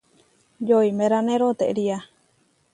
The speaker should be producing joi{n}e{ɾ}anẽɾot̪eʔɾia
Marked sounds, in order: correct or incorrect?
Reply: incorrect, correct

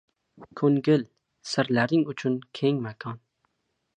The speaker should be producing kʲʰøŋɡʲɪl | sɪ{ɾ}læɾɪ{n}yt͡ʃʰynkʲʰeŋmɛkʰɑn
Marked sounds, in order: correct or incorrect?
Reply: correct, incorrect

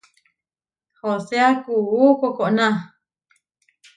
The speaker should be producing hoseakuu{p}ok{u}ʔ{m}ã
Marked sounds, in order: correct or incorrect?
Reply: incorrect, incorrect, incorrect

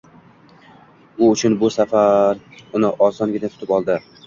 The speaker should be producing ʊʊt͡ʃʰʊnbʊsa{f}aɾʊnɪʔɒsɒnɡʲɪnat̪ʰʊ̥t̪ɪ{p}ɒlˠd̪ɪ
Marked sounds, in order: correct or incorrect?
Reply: correct, correct

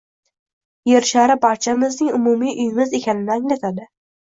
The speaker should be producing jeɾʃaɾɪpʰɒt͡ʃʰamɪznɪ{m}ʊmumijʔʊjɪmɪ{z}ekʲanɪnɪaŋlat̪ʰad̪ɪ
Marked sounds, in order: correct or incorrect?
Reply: incorrect, correct

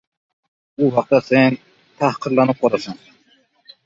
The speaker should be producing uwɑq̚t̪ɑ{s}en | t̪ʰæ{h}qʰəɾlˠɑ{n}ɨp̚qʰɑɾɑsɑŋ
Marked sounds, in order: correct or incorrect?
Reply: correct, correct, correct

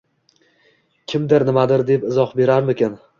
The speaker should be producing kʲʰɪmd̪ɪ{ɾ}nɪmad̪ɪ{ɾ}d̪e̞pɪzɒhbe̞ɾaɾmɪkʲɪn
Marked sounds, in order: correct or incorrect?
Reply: correct, correct

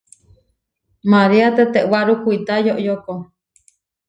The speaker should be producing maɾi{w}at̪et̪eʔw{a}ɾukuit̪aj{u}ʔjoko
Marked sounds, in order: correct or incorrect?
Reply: incorrect, correct, incorrect

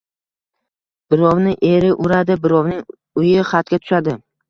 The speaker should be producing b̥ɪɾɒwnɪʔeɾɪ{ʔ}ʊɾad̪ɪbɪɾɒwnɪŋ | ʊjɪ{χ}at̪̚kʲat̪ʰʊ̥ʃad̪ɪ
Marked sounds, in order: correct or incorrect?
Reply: correct, correct

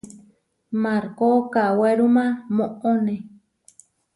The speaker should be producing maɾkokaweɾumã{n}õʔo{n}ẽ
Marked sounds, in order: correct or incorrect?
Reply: incorrect, correct

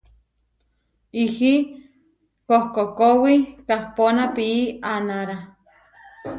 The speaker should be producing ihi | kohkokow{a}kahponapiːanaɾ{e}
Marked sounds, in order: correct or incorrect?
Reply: incorrect, incorrect

